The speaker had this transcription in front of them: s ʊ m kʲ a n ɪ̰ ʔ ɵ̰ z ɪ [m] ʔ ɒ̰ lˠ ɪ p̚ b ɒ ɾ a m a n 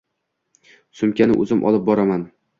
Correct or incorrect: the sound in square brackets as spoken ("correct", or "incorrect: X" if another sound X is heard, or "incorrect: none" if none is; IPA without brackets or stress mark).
correct